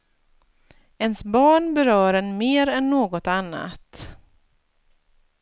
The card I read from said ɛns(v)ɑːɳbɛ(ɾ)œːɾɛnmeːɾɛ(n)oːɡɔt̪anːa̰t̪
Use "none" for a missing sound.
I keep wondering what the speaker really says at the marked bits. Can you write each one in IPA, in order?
b, ɾ, nː

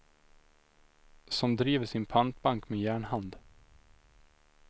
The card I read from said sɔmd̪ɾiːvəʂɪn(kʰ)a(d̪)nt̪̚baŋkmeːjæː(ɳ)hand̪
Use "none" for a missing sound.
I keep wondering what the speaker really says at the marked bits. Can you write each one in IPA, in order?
pʰ, none, ɳ

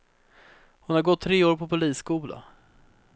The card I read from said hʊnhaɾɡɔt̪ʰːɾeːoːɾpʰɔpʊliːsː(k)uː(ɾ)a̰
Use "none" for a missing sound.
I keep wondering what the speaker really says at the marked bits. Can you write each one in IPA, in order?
k, l

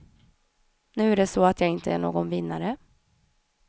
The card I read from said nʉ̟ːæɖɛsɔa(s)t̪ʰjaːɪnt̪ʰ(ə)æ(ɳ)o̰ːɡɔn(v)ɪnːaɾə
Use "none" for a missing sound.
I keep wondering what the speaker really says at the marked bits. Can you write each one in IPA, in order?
none, ə, ɳ, v

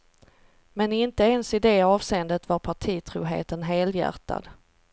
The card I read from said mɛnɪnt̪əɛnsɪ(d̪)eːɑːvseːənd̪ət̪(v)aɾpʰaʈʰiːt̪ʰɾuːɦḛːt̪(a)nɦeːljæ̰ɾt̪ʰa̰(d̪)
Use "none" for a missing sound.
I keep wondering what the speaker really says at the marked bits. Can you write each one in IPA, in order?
d̪, v, ə, d̪

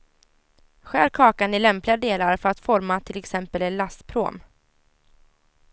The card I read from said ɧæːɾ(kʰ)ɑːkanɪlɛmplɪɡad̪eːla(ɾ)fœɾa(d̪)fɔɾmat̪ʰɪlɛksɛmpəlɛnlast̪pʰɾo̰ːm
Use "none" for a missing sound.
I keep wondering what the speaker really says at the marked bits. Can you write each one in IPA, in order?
kʰ, ɾ, t̪

